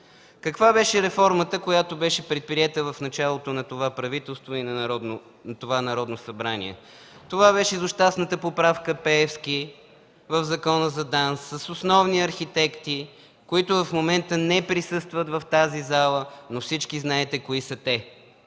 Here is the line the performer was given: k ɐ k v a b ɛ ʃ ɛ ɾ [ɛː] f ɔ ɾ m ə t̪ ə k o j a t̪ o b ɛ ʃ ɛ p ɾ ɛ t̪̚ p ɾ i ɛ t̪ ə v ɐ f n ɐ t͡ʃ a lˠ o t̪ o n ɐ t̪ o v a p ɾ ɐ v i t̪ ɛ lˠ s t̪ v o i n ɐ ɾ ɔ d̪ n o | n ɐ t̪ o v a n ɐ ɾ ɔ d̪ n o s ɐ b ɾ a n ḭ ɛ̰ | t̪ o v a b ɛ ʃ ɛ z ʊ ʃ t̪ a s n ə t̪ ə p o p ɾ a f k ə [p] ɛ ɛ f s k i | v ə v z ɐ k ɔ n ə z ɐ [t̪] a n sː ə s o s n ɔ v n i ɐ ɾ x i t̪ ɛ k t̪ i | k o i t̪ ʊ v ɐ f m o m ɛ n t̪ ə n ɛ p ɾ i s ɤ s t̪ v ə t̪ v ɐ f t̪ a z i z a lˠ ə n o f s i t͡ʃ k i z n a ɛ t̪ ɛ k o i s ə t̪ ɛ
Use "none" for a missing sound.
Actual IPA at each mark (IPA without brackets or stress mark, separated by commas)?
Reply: ɛ, p, d̪